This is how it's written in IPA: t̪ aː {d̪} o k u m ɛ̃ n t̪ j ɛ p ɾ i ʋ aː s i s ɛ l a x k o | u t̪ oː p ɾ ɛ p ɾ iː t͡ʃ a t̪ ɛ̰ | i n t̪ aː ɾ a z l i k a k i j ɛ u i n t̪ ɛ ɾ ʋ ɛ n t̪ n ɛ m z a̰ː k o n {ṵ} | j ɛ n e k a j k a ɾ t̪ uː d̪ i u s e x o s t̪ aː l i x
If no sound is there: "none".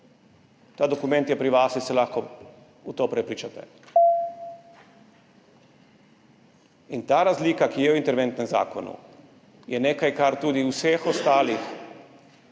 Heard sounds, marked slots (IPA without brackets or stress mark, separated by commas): d̪, ṵ